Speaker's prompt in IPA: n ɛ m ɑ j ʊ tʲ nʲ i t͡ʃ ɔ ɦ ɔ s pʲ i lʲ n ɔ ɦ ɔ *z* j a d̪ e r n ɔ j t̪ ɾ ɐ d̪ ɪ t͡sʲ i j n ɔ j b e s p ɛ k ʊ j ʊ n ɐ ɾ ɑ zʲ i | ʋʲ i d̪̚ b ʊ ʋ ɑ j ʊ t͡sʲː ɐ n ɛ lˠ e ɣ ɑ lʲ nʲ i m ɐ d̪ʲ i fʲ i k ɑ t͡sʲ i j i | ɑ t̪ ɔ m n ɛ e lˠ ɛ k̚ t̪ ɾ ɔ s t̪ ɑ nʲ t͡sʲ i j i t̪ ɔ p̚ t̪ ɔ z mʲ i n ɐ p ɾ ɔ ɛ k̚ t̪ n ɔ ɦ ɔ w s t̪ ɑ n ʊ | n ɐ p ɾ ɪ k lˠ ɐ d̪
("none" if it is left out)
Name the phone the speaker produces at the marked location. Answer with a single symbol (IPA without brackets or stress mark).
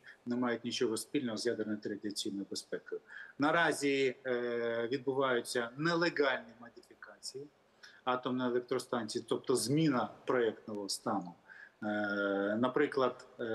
z